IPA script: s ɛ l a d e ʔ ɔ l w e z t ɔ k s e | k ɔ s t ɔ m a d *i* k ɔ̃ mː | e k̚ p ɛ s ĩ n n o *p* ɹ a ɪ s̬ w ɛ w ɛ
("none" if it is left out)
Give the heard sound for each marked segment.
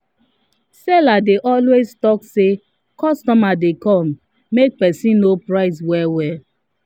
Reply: e, p

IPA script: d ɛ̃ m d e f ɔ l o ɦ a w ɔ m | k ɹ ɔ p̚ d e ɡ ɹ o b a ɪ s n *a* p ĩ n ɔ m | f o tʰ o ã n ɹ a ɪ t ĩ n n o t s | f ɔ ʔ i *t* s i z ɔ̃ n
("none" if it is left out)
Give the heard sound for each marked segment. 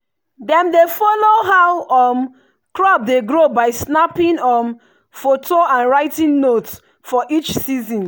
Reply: a, t͡ʃ

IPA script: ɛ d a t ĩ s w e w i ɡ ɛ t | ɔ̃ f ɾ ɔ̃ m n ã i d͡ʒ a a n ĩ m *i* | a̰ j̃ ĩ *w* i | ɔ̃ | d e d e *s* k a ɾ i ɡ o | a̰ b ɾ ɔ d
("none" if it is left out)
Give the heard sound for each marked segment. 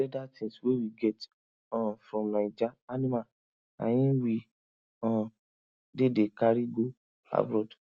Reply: a, w, none

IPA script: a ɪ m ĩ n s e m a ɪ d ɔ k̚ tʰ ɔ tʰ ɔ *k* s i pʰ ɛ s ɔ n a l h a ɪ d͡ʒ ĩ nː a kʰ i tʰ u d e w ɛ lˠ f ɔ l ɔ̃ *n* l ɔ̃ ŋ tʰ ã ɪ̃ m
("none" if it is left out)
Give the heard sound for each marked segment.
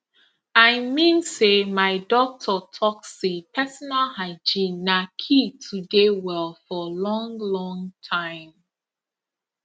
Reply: k, ŋ

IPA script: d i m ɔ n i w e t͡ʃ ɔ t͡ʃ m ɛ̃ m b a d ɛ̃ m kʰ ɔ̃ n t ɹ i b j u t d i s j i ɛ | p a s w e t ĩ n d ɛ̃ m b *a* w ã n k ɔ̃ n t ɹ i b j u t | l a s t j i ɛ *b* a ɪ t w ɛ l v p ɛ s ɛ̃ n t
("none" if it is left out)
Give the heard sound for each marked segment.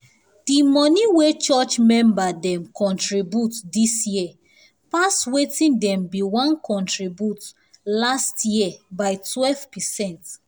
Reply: i, b

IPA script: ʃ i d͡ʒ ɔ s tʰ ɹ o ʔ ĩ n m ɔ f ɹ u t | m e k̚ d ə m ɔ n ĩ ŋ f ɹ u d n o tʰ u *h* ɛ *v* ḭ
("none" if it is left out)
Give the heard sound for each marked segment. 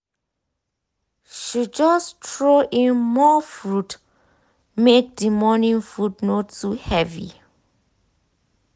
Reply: h, v

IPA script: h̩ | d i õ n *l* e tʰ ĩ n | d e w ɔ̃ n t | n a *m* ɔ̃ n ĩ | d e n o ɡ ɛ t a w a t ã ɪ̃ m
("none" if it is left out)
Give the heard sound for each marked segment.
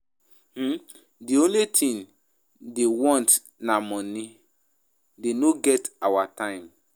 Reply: l, m

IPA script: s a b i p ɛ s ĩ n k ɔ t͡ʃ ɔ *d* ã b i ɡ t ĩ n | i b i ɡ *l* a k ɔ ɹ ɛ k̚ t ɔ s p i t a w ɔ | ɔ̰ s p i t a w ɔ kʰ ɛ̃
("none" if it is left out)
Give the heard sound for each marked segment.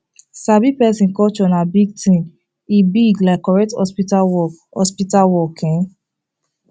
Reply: n, l

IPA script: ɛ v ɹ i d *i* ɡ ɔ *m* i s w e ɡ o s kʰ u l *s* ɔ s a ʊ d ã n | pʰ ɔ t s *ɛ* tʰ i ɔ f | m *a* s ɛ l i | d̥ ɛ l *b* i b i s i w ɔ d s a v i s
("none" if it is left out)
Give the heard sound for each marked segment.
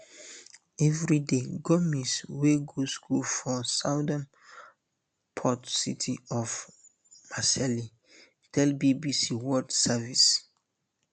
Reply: e, m, f, i, a, b

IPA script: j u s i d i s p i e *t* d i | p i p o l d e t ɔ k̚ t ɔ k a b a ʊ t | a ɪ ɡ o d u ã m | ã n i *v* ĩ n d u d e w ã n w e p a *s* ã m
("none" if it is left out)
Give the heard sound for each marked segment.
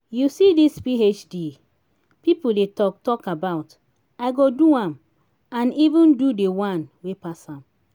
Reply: t͡ʃ, v, s

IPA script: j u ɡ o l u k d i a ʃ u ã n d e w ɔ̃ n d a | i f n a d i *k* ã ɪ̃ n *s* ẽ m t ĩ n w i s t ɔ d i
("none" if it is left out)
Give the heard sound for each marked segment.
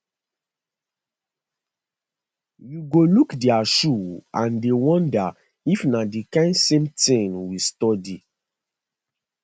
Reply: k, s

